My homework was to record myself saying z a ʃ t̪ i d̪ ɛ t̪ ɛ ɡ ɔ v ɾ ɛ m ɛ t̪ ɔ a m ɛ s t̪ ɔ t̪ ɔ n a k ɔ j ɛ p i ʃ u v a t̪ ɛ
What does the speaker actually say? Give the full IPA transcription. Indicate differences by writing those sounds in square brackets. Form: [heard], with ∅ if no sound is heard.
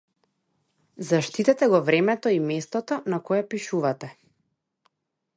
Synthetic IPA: z a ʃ t̪ i [t̪] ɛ t̪ ɛ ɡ ɔ v ɾ ɛ m ɛ t̪ ɔ [i] m ɛ s t̪ ɔ t̪ ɔ n a k ɔ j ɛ p i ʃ u v a t̪ ɛ